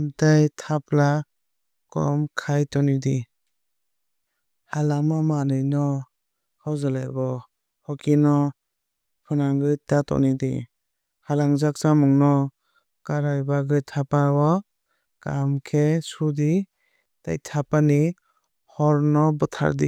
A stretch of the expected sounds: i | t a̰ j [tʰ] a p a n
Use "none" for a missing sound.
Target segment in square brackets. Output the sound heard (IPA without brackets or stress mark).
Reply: tʰ